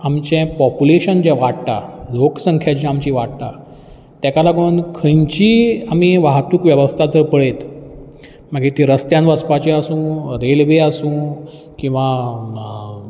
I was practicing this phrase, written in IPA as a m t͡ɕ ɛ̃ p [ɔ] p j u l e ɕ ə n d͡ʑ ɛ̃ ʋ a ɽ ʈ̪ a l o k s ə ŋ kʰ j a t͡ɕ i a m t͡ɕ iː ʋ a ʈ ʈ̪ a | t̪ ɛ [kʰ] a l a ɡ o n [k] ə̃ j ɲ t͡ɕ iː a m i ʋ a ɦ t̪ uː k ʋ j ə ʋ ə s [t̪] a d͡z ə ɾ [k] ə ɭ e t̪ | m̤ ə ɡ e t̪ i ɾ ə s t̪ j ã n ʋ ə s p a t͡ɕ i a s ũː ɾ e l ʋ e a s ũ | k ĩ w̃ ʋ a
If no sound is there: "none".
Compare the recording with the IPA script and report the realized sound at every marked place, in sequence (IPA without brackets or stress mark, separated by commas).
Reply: ɔ, k, kʰ, t̪ʰ, p